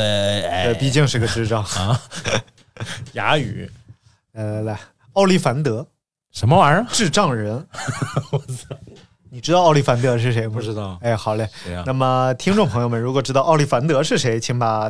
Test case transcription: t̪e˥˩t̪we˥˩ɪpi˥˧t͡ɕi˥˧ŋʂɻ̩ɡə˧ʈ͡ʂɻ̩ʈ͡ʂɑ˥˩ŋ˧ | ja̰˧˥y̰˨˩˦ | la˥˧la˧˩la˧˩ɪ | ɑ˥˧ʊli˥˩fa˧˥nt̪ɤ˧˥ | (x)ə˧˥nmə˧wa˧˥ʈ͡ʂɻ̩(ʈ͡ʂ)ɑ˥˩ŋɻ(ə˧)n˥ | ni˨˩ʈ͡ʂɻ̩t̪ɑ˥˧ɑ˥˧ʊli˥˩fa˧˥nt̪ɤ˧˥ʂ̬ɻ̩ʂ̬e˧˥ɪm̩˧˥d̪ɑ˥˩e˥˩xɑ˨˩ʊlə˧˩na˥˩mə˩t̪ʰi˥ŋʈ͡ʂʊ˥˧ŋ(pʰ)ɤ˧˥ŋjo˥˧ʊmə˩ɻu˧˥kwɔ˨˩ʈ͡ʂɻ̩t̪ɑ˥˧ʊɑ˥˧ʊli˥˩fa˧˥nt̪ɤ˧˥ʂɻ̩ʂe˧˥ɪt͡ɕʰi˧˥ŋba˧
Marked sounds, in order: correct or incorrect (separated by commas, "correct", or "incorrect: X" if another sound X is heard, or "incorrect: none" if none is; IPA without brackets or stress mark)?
incorrect: ʂ, correct, incorrect: ə˧˥, correct